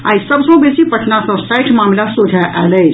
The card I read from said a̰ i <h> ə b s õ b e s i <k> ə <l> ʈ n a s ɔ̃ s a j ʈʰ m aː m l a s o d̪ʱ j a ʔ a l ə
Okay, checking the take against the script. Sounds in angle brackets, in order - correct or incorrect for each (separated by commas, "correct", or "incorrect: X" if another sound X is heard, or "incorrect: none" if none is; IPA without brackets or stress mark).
incorrect: s, incorrect: p, incorrect: none